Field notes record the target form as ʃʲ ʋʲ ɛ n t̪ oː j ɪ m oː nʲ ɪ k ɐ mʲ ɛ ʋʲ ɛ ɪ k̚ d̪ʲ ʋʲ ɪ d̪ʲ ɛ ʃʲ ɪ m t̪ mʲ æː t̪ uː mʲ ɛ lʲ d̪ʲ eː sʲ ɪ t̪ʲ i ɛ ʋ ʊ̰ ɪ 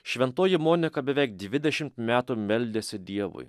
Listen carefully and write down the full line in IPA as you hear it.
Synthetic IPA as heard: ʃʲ ʋʲ ɛ n t̪ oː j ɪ m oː nʲ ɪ k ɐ bʲ ɛ ʋʲ ɛ ɪ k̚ d̪ʲ ʋʲ ɪ d̪ʲ ɛ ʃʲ ɪ m t̪ mʲ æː t̪ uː mʲ ɛ lʲ d̪ʲ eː sʲ ɪ d̪ʲ i ɛ ʋ ʊ̰ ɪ